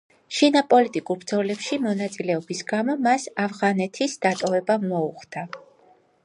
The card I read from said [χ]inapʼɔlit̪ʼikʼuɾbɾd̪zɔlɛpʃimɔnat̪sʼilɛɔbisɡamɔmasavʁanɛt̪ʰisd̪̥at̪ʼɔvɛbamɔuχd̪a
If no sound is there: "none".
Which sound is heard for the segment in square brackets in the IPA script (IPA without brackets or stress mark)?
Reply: ʃ